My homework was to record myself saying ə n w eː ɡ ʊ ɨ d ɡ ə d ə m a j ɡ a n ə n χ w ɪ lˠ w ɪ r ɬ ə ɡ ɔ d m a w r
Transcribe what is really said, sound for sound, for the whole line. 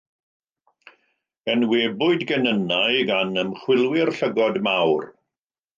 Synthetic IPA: ə n w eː b ʊ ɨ d ɡ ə n ə n a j ɡ a n ə m χ w ɪ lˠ w ɪ r ɬ ə ɡ ɔ d m a w r